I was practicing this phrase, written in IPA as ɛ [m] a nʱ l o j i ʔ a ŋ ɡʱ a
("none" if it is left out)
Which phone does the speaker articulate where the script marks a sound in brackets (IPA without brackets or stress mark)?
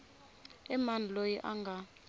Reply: m